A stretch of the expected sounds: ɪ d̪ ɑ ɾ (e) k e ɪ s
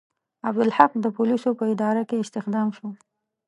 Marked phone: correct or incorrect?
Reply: incorrect